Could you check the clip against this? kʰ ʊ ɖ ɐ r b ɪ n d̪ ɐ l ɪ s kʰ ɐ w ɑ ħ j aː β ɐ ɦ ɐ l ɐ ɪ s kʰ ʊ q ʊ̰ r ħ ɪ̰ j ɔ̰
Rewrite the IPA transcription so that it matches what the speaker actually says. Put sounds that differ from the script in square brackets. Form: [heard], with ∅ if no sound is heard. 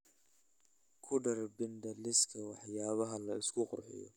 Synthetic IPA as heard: kʰ ʊ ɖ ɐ r b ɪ n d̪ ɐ l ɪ s kʰ ɐ w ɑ ħ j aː β ɐ ɦ ɐ l ɐ ɪ s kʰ ʊ q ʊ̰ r ħ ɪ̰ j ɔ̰